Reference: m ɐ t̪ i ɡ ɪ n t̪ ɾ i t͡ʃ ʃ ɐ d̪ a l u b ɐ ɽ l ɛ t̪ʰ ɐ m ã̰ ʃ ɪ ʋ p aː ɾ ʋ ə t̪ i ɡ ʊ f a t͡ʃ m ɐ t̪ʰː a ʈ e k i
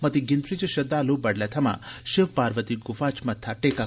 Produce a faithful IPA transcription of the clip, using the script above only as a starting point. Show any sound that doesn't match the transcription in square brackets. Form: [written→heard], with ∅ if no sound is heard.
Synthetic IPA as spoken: m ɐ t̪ i ɡ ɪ n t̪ ɾ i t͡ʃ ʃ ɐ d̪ a l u b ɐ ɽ l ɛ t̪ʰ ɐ m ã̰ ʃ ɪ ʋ p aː ɾ ʋ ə t̪ i ɡ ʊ f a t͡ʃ m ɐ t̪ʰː a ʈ e k [i→a]